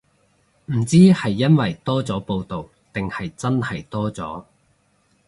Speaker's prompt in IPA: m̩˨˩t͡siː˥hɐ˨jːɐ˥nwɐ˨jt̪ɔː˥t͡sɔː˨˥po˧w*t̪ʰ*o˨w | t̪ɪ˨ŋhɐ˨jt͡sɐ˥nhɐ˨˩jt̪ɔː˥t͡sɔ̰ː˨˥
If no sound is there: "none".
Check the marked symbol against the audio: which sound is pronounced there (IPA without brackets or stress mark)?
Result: t̪